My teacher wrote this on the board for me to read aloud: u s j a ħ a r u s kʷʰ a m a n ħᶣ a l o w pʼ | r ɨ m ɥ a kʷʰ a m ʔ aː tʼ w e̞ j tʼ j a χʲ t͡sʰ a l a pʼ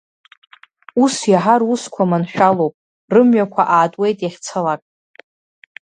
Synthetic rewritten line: u s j a ħ a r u s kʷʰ a m a n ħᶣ a l o w pʼ | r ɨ m ɥ a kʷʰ a ʔ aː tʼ w e̞ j tʼ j a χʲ t͡sʰ a l a kʼ